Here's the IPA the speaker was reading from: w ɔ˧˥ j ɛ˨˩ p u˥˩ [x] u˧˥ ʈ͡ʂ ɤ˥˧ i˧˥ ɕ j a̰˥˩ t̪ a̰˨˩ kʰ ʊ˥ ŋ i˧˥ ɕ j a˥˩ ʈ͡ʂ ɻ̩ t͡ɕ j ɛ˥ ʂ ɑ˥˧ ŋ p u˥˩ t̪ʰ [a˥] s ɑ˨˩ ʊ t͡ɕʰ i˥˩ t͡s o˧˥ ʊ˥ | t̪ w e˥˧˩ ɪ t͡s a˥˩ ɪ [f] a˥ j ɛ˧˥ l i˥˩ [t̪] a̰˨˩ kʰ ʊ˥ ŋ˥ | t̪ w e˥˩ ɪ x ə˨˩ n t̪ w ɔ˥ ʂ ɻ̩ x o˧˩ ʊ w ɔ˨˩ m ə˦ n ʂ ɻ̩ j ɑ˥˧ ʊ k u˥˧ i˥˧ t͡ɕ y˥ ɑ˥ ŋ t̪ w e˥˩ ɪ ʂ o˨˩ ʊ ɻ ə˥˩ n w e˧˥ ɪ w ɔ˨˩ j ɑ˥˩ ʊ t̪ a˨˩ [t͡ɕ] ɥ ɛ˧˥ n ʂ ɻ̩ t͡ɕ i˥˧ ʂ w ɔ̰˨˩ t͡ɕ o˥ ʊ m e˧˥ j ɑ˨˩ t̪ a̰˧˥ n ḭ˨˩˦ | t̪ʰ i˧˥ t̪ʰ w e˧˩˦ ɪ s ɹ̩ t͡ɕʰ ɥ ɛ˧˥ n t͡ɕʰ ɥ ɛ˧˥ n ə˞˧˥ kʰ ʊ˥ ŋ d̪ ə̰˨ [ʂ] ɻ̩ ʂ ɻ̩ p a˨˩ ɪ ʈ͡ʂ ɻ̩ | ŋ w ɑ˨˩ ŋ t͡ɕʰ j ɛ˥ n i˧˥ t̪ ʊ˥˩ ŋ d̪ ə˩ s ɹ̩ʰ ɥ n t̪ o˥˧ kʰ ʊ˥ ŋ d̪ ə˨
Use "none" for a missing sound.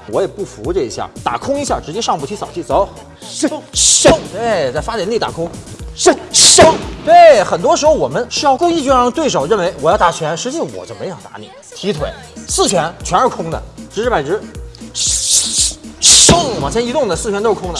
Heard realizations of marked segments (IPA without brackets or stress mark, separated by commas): f, i˥, f, t̪, t͡ɕʰ, ʈ͡ʂ